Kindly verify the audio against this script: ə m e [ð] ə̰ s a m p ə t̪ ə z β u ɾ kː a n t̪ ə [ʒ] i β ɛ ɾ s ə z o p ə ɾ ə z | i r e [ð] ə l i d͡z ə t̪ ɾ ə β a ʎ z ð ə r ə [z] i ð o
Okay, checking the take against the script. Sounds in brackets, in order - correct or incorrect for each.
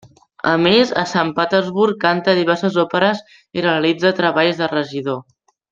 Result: incorrect: z, incorrect: ð, incorrect: none, incorrect: ʒ

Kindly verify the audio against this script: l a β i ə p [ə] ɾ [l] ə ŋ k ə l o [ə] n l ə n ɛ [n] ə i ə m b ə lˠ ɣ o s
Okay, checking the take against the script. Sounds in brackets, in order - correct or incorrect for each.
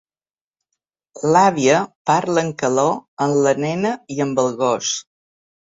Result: incorrect: a, correct, correct, correct

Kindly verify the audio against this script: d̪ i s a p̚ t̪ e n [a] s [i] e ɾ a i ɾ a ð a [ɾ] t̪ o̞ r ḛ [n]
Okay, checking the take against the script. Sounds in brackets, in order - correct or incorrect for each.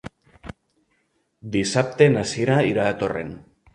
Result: correct, correct, incorrect: none, correct

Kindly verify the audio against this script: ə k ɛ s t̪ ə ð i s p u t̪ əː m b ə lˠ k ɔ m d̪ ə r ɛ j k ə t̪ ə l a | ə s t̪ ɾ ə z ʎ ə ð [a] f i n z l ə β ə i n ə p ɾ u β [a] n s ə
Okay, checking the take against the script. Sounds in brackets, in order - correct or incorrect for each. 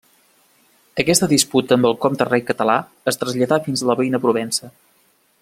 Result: correct, incorrect: ɛ

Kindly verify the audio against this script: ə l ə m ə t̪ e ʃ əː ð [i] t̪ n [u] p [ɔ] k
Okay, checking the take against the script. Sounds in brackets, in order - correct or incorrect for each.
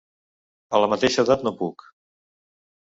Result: incorrect: a, incorrect: o, incorrect: u

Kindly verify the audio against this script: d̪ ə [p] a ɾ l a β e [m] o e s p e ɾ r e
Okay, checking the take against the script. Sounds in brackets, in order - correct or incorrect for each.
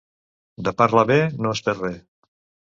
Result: correct, incorrect: n

